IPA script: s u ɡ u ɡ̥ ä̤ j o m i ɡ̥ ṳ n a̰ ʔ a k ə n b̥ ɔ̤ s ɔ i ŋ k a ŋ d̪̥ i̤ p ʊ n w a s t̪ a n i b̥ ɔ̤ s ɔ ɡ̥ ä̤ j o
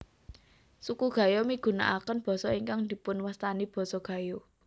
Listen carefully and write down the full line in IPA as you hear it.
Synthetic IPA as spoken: s u k u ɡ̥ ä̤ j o m i ɡ̥ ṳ n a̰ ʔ a k ə n b̥ ɔ̤ s ɔ i ŋ k a ŋ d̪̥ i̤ p ʊ n w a s t̪ a n i b̥ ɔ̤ s ɔ ɡ̥ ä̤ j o